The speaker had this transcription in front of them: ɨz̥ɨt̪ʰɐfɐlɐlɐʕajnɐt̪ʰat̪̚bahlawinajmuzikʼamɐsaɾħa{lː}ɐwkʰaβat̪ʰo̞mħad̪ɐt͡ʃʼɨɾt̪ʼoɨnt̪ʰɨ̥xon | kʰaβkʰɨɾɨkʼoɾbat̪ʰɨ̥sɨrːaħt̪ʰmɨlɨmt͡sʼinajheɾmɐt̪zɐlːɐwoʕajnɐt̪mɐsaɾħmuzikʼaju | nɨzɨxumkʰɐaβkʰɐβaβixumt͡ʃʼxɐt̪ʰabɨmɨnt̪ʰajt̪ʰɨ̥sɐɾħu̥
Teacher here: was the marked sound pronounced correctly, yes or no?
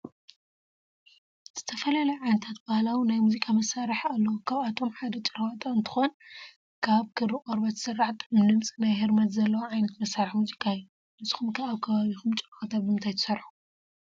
yes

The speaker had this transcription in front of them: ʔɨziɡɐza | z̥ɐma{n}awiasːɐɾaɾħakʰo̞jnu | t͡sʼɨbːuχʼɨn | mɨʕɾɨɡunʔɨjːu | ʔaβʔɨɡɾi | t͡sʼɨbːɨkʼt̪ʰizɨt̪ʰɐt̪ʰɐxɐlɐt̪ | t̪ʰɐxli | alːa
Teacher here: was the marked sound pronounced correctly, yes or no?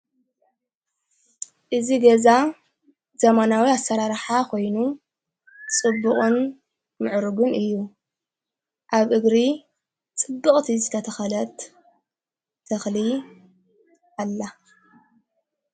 yes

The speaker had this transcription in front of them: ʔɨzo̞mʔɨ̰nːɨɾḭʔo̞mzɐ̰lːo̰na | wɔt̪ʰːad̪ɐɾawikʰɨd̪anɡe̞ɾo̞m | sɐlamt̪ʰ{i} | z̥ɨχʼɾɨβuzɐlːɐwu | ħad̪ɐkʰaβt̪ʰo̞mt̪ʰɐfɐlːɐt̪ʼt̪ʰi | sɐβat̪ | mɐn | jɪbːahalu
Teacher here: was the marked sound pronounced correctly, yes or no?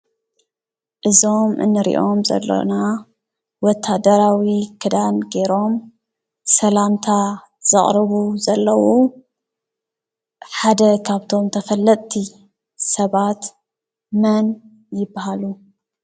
no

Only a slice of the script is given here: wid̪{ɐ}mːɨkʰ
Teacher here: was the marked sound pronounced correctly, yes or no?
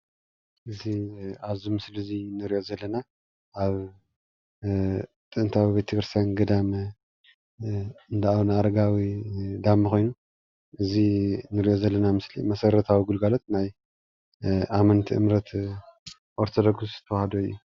no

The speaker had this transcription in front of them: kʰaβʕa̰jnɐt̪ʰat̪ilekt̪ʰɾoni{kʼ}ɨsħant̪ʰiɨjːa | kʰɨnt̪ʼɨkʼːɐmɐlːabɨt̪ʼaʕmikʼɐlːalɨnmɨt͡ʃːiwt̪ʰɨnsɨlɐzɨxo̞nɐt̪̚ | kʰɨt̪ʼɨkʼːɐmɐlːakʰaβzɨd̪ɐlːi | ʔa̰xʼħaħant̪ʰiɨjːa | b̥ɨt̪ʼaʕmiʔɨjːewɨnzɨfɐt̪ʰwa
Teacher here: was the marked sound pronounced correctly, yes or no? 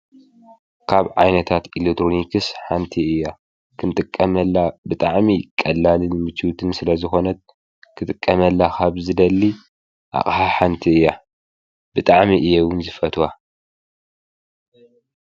no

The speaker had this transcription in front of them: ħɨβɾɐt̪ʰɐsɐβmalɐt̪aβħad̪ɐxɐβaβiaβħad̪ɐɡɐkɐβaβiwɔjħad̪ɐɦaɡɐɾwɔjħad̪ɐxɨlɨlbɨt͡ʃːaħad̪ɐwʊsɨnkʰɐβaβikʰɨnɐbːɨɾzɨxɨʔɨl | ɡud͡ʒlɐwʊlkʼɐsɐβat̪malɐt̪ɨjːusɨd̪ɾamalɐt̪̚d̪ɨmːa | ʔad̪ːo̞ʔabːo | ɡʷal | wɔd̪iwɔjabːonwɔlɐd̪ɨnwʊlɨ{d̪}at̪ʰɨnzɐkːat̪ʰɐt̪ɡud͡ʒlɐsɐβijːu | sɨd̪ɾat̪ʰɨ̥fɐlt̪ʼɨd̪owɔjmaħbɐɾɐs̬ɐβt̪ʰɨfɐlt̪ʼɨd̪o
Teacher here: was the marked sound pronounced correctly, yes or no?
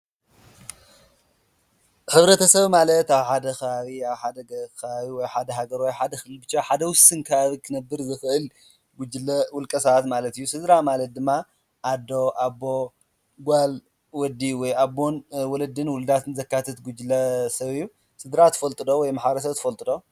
yes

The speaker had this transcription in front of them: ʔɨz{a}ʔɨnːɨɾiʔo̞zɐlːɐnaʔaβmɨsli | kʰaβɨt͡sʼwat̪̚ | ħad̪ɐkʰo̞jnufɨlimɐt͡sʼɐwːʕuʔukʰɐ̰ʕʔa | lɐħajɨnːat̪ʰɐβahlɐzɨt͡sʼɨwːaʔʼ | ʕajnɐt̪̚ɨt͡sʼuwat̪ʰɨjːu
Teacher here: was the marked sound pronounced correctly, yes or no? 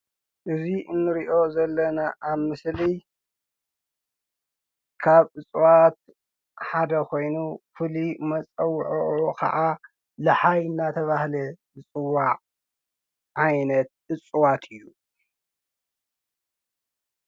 no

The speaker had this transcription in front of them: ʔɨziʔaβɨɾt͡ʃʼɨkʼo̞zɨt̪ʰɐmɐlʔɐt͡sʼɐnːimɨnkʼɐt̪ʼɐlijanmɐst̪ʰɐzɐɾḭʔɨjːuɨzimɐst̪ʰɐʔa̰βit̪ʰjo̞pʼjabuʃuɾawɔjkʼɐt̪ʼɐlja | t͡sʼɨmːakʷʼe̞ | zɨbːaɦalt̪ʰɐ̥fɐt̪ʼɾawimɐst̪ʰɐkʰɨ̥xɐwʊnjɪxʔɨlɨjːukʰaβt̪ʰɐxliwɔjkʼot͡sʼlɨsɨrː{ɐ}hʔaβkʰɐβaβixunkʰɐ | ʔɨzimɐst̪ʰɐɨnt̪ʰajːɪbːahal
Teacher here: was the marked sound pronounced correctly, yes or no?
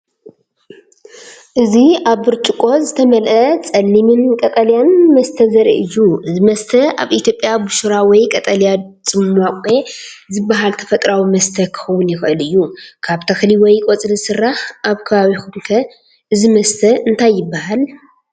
no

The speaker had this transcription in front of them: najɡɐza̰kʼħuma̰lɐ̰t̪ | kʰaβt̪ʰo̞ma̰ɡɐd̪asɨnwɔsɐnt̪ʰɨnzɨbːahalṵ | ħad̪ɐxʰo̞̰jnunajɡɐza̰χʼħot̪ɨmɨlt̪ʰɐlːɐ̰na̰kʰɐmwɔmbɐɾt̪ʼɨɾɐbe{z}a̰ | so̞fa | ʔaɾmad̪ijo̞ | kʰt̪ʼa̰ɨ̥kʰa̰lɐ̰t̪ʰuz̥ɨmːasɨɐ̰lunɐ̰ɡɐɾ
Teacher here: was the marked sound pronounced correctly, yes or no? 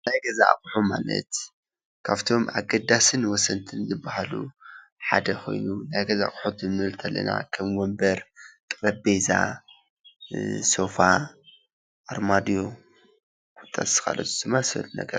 yes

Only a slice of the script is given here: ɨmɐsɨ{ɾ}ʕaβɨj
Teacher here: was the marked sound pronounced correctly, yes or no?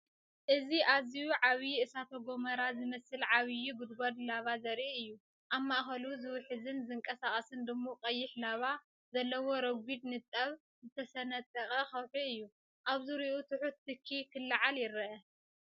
no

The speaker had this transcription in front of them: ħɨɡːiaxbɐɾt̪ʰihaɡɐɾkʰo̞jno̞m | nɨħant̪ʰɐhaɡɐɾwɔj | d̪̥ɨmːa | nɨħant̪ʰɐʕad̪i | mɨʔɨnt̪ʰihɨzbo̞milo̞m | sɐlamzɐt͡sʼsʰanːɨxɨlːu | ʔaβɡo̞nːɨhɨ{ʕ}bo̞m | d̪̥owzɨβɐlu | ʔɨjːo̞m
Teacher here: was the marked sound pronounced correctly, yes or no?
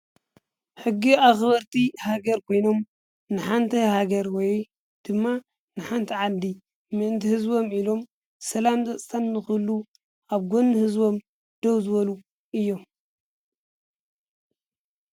no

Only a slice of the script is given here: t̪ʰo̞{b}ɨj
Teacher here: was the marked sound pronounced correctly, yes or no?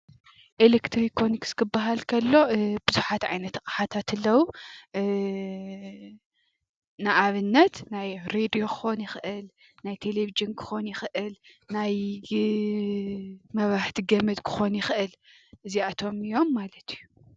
no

